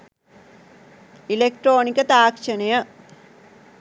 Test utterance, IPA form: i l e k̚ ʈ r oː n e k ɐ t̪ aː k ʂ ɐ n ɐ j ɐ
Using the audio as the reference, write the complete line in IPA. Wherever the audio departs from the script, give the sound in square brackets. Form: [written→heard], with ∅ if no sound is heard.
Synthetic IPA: i l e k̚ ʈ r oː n [e→i] k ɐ t̪ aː k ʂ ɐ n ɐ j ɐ